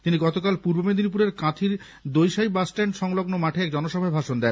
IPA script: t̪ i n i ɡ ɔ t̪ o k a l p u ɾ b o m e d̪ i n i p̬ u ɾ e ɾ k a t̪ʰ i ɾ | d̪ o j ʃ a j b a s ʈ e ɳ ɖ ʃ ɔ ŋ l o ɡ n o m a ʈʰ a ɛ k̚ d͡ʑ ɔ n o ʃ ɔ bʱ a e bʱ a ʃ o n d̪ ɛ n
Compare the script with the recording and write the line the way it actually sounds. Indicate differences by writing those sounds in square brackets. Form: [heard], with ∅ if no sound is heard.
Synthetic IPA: t̪ i n i ɡ ɔ t̪ o k a l p u ɾ b o m e d̪ i n i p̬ u ɾ e ɾ k a t̪ʰ i ɾ | d̪ o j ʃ a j b a s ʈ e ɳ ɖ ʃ ɔ ŋ l o ɡ n o m a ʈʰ [e] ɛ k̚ d͡ʑ ɔ n o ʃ ɔ bʱ a e bʱ a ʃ o n d̪ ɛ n